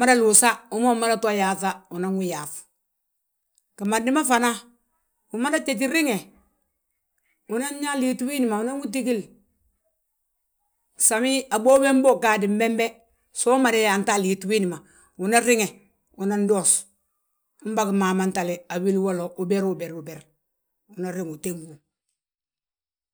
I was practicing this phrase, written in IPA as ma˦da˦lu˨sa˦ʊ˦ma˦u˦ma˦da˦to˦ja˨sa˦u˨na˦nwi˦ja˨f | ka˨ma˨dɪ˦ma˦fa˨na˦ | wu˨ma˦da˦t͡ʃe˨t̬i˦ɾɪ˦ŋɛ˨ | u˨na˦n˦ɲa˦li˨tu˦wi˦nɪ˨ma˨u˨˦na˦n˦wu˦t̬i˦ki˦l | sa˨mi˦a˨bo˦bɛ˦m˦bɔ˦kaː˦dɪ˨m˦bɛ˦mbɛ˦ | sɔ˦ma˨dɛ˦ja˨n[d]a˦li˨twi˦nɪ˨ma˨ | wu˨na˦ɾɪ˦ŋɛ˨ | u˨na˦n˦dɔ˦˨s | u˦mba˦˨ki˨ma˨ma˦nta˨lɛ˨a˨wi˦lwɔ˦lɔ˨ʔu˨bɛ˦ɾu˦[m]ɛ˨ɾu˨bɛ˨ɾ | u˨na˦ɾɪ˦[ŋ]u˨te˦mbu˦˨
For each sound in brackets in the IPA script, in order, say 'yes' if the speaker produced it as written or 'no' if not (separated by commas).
no, no, yes